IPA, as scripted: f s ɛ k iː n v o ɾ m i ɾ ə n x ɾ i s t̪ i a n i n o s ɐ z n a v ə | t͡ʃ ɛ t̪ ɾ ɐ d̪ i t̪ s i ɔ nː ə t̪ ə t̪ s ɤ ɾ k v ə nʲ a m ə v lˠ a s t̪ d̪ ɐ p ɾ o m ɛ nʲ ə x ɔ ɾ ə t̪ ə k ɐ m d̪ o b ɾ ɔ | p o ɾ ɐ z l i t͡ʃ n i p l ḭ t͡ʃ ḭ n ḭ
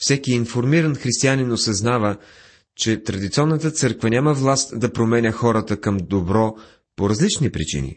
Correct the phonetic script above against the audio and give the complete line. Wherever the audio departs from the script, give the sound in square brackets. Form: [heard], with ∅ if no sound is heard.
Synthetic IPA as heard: f s ɛ k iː n [f] o ɾ m i ɾ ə n x ɾ i s t̪ i a n i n o s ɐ z n a v ə | t͡ʃ ɛ t̪ ɾ ɐ d̪ i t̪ s i ɔ nː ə t̪ ə t̪ s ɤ ɾ k v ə nʲ a m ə v lˠ a s t̪ d̪ ɐ p ɾ o m ɛ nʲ ə x ɔ ɾ ə t̪ ə k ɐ m d̪ o b ɾ ɔ | p o ɾ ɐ z l i t͡ʃ n i p [ɾ] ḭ t͡ʃ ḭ n ḭ